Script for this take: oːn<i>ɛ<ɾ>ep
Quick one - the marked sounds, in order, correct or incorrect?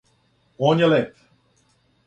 incorrect: j, incorrect: l

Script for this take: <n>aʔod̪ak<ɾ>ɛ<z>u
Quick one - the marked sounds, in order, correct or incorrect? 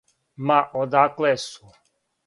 incorrect: m, incorrect: l, incorrect: s

